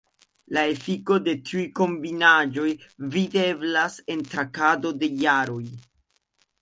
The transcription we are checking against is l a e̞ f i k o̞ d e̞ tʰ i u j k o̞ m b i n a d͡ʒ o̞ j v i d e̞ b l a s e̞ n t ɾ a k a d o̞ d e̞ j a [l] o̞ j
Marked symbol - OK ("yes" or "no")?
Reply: no